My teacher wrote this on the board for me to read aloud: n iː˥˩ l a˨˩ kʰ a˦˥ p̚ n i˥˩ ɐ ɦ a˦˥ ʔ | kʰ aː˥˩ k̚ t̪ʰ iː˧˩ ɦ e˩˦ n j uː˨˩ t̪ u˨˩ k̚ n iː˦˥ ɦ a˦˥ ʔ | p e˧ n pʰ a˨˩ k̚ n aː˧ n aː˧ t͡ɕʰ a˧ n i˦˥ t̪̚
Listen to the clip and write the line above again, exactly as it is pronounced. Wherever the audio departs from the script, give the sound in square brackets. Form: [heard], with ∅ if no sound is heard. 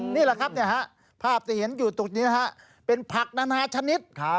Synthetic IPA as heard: n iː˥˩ l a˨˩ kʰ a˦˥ p̚ n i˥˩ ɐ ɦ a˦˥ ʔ | [pʰ] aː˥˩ [p̚] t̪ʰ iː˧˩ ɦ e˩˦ n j uː˨˩ t̪ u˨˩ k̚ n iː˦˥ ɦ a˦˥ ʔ | p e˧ n pʰ a˨˩ k̚ n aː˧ n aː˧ t͡ɕʰ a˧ n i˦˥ t̪̚